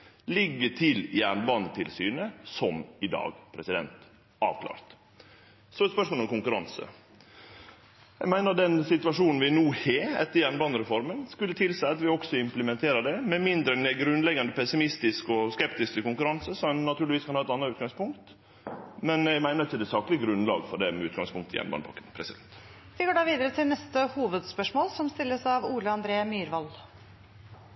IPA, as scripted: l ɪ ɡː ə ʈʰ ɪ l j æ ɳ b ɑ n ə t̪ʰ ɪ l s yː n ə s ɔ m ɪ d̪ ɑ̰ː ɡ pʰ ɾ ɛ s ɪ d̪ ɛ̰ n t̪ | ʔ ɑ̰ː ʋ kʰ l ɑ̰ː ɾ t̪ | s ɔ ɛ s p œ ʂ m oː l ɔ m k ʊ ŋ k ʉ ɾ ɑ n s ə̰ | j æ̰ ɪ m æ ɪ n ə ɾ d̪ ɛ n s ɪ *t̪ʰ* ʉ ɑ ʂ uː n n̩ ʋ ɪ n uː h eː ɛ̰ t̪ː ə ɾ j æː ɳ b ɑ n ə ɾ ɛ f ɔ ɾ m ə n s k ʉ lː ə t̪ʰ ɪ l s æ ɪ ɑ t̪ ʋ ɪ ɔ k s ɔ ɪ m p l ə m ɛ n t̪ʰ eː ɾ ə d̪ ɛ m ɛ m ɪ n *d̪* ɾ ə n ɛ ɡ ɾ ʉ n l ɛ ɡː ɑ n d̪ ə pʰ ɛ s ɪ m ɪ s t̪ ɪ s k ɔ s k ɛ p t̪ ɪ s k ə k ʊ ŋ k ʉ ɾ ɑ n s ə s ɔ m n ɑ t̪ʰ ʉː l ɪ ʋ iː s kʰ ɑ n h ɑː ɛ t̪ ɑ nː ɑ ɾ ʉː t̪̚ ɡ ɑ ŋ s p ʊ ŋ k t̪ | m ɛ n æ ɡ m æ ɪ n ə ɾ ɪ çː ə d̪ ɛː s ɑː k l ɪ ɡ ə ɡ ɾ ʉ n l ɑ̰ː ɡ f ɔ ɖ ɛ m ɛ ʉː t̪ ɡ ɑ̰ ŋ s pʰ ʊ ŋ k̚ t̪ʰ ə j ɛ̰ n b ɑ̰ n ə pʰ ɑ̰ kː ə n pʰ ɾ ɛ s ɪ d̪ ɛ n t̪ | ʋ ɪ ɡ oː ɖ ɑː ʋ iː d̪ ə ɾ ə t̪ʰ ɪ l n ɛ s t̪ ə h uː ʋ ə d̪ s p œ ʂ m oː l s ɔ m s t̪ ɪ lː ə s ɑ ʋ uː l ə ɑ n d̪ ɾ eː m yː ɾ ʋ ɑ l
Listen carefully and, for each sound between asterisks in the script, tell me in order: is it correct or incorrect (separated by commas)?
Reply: incorrect, correct